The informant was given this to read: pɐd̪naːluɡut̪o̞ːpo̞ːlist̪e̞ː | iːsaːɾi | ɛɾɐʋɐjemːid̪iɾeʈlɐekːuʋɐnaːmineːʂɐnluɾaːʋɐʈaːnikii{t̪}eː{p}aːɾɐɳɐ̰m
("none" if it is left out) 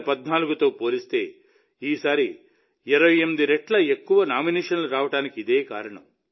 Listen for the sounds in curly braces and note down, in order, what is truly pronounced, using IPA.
d̪, k

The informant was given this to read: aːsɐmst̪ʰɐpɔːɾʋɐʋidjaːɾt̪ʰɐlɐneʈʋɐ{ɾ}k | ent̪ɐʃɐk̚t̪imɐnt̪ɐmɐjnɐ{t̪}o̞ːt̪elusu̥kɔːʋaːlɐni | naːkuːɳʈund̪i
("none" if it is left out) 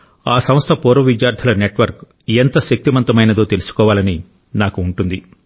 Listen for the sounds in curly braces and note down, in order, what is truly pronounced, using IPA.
ɾ, d̪

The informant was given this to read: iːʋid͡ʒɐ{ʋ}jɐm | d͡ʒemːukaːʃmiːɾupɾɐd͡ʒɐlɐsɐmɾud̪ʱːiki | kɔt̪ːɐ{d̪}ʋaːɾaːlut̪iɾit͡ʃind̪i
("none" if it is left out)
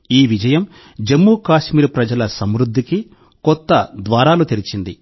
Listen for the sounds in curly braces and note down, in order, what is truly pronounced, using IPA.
none, d̪

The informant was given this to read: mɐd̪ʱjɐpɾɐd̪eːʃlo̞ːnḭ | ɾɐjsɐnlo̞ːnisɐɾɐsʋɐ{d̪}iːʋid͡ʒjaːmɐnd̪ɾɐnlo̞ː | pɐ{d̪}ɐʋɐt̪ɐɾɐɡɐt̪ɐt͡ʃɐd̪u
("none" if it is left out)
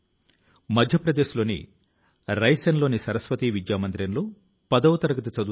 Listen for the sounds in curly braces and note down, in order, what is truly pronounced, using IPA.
t̪, d̪

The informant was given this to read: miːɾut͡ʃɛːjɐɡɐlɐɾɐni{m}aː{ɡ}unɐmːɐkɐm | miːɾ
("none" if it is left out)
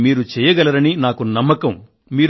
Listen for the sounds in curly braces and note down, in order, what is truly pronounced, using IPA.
n, k

